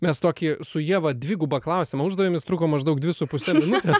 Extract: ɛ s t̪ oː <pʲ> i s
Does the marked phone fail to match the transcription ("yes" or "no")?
yes